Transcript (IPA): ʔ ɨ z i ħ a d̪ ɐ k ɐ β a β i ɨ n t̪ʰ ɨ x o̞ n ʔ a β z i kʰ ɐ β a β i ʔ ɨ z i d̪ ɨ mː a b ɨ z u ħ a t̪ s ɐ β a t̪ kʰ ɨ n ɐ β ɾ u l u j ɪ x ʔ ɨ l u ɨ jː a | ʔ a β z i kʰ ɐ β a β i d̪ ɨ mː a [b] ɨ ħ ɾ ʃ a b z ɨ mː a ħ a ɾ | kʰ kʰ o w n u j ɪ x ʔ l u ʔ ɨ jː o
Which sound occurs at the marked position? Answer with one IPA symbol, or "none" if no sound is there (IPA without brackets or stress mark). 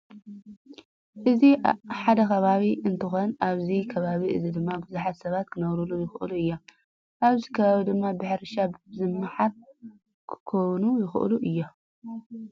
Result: b